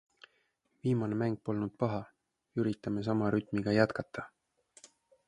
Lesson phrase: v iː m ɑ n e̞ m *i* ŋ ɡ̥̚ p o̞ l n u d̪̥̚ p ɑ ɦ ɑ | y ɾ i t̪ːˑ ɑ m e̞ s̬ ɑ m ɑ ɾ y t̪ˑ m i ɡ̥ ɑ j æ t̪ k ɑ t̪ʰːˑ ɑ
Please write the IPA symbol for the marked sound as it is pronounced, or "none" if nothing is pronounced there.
æ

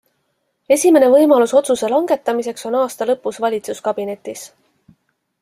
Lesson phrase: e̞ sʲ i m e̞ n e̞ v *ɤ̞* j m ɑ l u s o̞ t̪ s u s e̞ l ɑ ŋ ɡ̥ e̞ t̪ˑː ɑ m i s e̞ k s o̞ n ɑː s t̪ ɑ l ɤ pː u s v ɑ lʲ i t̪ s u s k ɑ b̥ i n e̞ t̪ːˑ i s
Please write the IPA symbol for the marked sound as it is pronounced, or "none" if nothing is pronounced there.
ɤ̞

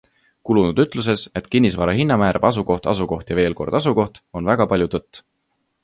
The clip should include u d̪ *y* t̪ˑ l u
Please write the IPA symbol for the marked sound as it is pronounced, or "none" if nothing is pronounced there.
y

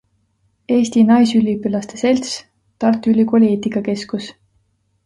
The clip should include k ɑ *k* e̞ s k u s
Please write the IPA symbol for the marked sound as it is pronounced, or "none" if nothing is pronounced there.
k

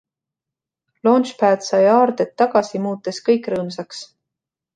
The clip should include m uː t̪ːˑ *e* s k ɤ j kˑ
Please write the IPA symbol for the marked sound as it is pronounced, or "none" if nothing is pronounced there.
e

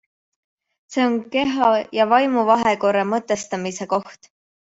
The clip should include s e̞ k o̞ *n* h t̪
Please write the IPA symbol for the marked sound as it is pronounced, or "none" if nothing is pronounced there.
none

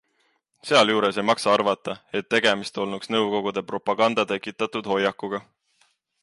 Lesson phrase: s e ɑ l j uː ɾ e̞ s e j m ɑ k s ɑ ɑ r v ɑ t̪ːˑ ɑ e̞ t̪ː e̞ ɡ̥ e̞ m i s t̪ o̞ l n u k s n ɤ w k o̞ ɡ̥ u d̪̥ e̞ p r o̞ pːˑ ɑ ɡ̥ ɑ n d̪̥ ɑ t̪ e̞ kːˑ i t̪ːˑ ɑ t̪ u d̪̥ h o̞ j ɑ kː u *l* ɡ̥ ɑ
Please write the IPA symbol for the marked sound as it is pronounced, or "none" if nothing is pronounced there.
none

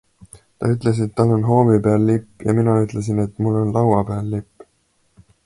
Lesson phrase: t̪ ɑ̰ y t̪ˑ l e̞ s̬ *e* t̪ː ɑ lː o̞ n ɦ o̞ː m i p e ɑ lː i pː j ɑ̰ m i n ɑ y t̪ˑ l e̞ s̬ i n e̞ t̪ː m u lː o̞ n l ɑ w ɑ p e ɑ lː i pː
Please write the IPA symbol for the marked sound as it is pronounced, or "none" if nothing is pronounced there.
e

